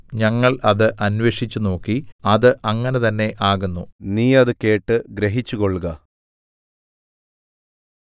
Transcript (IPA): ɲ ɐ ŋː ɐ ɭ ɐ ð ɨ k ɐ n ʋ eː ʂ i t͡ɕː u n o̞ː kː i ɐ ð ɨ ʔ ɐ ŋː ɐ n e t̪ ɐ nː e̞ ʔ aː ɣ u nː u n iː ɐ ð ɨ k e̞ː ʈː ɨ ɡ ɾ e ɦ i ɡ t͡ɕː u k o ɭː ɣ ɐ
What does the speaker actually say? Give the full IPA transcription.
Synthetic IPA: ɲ ɐ ŋː ɐ ɭ ɐ ð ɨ ʔ ɐ n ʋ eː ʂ i t͡ɕː u n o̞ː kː i ɐ ð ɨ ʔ ɐ ŋː ɐ n e t̪ ɐ nː e̞ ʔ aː ɣ u nː u n iː ɐ ð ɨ k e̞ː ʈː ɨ ɡ ɾ e ɦ i t͡ɕː u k o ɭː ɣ ɐ

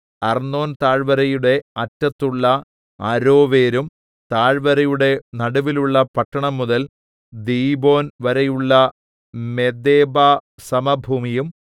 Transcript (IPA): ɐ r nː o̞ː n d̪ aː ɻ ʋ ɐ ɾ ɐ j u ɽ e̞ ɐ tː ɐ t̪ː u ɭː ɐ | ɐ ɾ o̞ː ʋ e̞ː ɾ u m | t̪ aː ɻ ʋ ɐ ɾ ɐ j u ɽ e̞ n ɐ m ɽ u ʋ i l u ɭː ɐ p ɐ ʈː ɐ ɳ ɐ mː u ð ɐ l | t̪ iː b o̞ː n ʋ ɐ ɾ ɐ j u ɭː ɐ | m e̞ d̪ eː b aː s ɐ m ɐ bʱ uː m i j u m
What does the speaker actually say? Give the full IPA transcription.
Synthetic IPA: ɐ r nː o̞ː n t̪ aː ɻ ʋ ɐ ɾ ɐ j u ɽ e̞ ɐ tː ɐ t̪ː u ɭː ɐ | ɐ ɾ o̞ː ʋ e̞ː ɾ u m | t̪ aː ɻ ʋ ɐ ɾ ɐ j u ɽ e̞ n ɐ ɽ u ʋ i l u ɭː ɐ p ɐ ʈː ɐ ɳ ɐ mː u ð ɐ l | d̪ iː b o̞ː n ʋ ɐ ɾ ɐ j u ɭː ɐ | m e̞ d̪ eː b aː s ɐ m ɐ bʱ uː m i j u m

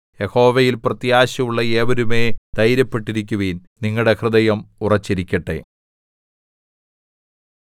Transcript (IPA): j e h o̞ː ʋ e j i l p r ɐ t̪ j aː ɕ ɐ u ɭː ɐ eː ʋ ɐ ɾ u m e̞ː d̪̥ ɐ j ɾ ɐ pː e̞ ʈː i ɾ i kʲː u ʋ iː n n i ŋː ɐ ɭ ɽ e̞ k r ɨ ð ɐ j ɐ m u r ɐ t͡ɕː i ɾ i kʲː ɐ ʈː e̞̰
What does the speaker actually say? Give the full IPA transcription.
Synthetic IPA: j e h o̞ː ʋ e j i l p r ɐ t̪ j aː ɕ ɐ u ɭː ɐ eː ʋ ɐ ɾ u m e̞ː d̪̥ ɐ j ɾ ɐ pː e̞ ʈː i ɾ i kʲː u ʋ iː n n i ŋː ɐ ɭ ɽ e̞ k r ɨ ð ɐ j ɐ m u r ɐ t͡ɕː i ɾ i kʲː ɐ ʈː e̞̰

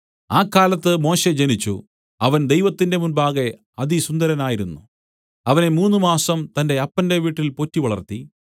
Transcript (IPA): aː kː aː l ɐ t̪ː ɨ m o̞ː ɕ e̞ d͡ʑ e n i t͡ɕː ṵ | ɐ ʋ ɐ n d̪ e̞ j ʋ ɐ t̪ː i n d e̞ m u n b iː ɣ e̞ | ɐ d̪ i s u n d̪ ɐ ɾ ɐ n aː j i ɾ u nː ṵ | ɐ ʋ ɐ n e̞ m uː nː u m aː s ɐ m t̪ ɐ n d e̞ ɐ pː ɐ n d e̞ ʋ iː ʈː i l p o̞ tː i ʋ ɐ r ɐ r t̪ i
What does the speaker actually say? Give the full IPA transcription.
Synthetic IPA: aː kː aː l ɐ t̪ː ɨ m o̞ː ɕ e̞ d͡ʑ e n i t͡ɕː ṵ | ɐ ʋ ɐ n d̪ e̞ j ʋ ɐ t̪ː i n d e̞ m u n b aː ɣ e̞ | ɐ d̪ i s u n d̪ ɐ ɾ ɐ n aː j i ɾ u nː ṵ | ɐ ʋ ɐ n e̞ m uː nː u m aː s ɐ m t̪ ɐ n d e̞ ɐ pː ɐ n d e̞ ʋ iː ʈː i l p o̞ tː i ʋ ɐ ɭ ɐ r t̪ i

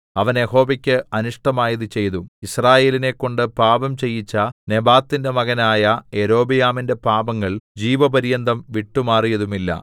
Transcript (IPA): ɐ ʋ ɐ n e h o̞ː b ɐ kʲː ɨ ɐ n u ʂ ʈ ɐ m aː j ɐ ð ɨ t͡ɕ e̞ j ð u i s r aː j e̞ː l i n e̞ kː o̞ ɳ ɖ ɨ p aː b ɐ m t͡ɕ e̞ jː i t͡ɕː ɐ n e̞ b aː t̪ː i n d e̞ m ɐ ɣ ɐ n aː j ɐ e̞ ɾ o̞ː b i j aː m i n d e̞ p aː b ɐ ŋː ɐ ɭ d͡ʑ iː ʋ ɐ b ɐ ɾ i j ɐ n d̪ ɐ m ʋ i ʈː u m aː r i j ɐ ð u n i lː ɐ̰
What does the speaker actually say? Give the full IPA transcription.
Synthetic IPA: ɐ ʋ ɐ n e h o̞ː b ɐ kʲː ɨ ɐ n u ʂ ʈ ɐ m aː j ɐ ð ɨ t͡ɕ e̞ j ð u i s r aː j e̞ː l i n e̞ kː o̞ ɳ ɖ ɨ p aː b ɐ m t͡ɕ e̞ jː i t͡ɕː ɐ n e̞ b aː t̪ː i n d e̞ m ɐ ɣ ɐ n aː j ɐ e̞ ɾ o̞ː b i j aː m i n d e̞ p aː b ɐ ŋː ɐ ɭ d͡ʑ iː ʋ ɐ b ɐ ɾ i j ɐ n d̪ ɐ m ʋ i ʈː u m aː r i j ɐ ð u m i lː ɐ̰

